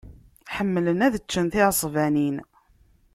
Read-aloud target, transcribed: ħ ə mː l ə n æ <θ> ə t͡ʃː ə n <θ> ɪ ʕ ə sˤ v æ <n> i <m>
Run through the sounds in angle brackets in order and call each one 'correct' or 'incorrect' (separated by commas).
incorrect, correct, correct, incorrect